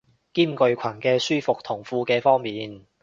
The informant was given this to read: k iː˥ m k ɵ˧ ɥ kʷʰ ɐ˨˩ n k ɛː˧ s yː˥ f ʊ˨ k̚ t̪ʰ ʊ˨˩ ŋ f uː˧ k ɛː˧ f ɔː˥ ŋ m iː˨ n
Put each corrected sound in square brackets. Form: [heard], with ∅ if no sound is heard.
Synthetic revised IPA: k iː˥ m k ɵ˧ ɥ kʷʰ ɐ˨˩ n k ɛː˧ s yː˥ f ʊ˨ k̚ t̪ʰ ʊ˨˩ ŋ f uː˧ k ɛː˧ f ɔː˥ ŋ m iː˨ n